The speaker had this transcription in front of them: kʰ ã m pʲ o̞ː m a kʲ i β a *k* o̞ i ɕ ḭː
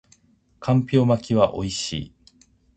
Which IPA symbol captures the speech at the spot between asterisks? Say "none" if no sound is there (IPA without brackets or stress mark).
ʔ